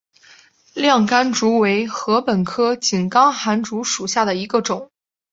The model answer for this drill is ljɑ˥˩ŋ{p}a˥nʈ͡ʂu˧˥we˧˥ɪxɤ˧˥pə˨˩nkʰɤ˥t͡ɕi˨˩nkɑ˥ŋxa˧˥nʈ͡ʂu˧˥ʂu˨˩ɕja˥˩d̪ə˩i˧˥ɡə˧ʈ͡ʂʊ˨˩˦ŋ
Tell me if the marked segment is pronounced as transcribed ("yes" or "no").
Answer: no